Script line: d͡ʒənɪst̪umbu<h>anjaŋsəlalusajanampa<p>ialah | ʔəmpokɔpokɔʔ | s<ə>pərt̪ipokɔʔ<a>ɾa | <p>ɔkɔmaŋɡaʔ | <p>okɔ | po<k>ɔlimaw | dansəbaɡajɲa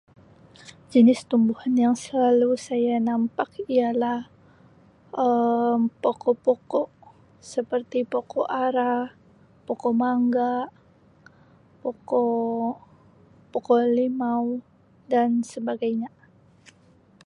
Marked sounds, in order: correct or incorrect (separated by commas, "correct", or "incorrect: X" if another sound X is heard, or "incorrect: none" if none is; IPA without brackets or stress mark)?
correct, incorrect: k, correct, correct, correct, correct, correct